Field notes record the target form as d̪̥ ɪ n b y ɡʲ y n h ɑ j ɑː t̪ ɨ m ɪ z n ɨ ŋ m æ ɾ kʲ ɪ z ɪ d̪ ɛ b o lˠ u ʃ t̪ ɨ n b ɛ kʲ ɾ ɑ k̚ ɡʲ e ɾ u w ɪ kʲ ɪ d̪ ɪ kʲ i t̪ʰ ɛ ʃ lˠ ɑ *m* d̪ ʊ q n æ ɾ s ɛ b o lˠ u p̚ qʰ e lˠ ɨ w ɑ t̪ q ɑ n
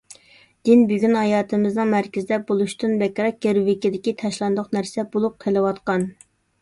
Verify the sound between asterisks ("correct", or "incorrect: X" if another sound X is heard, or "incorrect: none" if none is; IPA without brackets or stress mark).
incorrect: n